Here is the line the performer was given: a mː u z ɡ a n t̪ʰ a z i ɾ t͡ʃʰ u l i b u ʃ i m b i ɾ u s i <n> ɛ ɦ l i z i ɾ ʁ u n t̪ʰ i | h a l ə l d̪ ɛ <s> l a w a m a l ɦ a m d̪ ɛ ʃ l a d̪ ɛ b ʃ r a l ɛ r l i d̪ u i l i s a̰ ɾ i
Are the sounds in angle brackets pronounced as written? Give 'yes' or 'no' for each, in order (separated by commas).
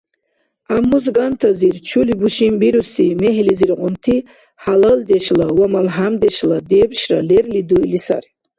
no, no